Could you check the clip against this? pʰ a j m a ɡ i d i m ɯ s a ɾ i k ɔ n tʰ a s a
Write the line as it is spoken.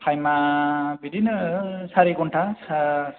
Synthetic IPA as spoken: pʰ a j m a b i d i n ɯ s a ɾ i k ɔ n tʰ a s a